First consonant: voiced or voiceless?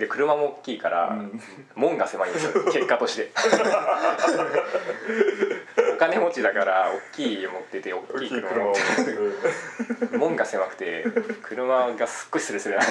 voiced